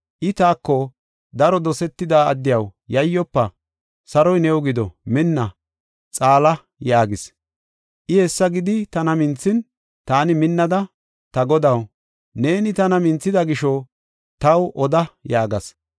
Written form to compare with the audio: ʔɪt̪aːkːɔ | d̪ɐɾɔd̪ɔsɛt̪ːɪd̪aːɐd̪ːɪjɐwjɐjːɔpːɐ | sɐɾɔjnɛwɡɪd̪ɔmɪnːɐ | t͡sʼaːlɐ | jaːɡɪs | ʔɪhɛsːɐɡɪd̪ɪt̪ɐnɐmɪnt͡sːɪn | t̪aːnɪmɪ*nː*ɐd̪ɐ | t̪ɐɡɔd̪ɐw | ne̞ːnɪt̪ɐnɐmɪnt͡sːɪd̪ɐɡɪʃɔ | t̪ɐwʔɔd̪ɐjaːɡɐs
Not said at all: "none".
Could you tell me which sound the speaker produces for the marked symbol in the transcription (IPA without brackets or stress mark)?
nː